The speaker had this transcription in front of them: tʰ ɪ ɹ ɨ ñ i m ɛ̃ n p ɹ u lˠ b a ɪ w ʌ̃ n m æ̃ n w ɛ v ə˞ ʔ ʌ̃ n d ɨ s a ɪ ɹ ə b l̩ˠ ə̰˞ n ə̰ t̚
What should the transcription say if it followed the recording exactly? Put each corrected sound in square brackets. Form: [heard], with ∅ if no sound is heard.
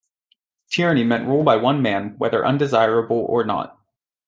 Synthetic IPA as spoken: tʰ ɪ ɹ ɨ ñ i m ɛ̃ n [ʔ] ɹ u lˠ b a ɪ w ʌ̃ n m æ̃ n w ɛ [ð] ə˞ ʔ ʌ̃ n d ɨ [z] a ɪ ɹ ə b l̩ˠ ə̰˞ n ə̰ t̚